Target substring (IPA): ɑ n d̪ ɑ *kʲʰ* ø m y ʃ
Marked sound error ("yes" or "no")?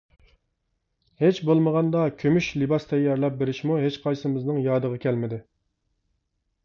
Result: no